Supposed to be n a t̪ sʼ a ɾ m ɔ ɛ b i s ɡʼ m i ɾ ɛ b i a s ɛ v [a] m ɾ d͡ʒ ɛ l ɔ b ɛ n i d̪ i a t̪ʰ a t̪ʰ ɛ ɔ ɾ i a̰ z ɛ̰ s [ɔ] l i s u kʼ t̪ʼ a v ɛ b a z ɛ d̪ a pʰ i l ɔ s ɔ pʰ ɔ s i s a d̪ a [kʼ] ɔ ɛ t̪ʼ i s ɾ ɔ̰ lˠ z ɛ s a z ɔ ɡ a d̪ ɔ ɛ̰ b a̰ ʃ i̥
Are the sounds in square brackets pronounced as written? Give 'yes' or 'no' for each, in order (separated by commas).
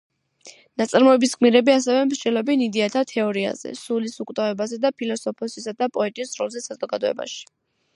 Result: no, no, no